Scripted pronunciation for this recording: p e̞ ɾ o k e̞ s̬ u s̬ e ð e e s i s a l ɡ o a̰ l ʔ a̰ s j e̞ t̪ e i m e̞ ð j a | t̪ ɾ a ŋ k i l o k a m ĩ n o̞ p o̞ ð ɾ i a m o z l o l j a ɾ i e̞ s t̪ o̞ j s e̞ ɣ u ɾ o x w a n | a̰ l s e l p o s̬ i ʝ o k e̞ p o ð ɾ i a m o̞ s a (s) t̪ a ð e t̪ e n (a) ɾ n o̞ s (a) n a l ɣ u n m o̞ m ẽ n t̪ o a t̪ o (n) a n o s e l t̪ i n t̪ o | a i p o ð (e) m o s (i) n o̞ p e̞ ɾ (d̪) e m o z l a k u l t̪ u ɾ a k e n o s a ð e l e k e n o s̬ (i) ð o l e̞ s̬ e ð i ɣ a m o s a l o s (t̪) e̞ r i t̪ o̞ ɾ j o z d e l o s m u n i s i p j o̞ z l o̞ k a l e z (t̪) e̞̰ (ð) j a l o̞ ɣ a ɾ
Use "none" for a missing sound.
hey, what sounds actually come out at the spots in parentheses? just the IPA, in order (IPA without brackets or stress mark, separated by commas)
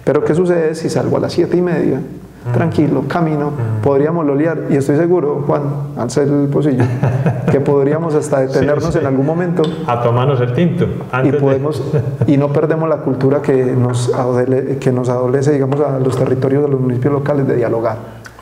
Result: s, e, e, m, e, i, d̪, a, t̪, d̪, ð